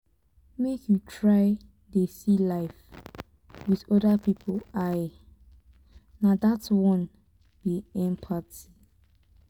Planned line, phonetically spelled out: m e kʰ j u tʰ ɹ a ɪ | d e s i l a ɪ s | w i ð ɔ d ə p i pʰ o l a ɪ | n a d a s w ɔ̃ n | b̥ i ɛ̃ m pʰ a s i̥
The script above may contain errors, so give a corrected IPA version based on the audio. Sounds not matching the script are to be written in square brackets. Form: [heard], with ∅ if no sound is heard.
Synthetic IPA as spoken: m e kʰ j u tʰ ɹ a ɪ | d e s i l a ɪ [f] | w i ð ɔ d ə p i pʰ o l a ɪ | n a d a [t] w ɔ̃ n | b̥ i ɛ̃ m pʰ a [t] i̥